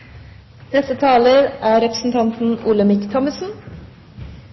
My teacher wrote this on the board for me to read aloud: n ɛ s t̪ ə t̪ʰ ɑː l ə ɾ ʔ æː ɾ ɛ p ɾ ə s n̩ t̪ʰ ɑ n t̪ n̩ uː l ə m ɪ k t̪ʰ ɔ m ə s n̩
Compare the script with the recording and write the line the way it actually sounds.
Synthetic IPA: n ɛ s t̪ ə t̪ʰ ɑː l ə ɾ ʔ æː ɾ ɛ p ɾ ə s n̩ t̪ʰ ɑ n t̪ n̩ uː l ə m ɪ k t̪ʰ ɔ m ə s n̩